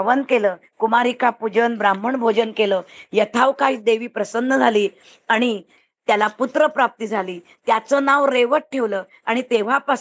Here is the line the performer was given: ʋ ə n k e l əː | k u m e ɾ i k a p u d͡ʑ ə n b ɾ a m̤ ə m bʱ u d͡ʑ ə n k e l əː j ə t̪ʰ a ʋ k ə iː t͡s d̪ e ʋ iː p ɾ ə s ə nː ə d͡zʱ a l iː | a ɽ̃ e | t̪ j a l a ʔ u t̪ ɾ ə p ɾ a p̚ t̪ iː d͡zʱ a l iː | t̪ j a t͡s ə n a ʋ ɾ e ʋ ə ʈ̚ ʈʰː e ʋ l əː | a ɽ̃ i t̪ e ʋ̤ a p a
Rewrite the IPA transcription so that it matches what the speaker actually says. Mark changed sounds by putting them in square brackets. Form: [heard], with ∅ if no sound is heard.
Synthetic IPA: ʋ ə n k e l əː | k u m [a] ɾ i k a p u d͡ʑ ə n b ɾ a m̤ ə [ɳ] bʱ [o] d͡ʑ ə n k e l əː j ə t̪ʰ a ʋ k [a] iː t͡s d̪ e ʋ iː p ɾ ə s ə nː ə d͡zʱ a l iː | a ɽ̃ [i] | t̪ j a l a [p] u t̪ ɾ ə p ɾ a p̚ t̪ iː d͡zʱ a l iː | t̪ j a t͡s ə n a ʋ ɾ e ʋ ə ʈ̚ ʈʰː e ʋ l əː | a ɽ̃ i t̪ e ʋ̤ a p a